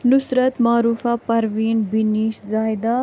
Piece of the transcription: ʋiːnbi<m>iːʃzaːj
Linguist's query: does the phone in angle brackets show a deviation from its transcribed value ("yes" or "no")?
yes